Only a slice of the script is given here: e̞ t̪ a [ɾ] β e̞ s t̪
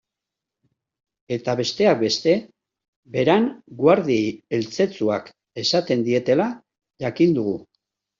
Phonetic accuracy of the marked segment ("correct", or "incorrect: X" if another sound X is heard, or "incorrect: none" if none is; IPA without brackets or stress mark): incorrect: none